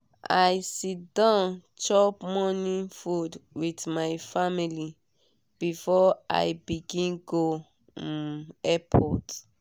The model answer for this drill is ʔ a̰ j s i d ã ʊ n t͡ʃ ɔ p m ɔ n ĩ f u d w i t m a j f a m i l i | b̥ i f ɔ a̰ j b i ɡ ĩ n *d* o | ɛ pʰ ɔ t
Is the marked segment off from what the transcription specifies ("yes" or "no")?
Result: yes